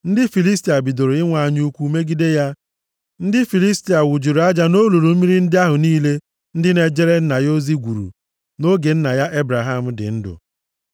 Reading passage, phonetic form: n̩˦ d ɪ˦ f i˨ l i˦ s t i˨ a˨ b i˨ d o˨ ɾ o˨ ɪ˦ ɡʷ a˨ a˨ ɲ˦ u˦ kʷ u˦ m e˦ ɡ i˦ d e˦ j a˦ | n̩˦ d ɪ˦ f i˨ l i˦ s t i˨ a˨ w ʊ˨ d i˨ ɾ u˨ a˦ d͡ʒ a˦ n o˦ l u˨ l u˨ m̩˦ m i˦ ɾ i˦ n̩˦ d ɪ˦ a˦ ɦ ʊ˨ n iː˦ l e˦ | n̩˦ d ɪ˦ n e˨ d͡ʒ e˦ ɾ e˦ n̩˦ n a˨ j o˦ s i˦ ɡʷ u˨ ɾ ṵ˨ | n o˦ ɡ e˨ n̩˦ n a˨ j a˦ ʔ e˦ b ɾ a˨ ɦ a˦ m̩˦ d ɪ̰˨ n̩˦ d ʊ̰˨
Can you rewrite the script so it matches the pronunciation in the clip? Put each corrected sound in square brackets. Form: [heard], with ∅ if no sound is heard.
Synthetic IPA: n̩˦ d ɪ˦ f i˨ l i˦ s t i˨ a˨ b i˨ d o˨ ɾ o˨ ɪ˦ [ŋʷ] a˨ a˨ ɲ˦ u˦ kʷ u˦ m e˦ ɡ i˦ d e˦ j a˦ | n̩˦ d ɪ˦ f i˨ l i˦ s t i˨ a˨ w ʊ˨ [d͡ʒ] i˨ ɾ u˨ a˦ d͡ʒ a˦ n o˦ l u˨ [ɾ] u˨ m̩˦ m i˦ ɾ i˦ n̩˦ d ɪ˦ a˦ ɦ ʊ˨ n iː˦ l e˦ | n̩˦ d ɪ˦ n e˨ d͡ʒ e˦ ɾ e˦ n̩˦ n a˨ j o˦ [z] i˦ ɡʷ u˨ ɾ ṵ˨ | n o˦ ɡ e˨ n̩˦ n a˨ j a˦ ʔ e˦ b ɾ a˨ ɦ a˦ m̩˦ d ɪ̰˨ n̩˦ d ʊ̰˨